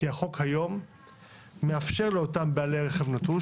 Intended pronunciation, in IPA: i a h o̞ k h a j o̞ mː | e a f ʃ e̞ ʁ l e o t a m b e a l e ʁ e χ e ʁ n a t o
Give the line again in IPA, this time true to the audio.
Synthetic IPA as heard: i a χ o̞ k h a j o̞ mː | e a f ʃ e̞ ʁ l e o t a m b e a l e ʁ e χ e v n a t u